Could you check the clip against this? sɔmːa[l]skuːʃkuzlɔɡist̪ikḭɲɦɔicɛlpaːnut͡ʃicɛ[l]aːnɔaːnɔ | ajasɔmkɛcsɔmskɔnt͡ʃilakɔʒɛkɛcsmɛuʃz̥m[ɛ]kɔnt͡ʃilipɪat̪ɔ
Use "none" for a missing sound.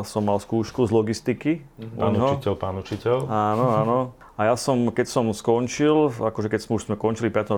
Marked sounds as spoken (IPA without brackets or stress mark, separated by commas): l, l, ɛ